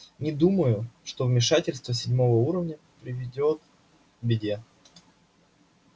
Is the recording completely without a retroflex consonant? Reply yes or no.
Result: no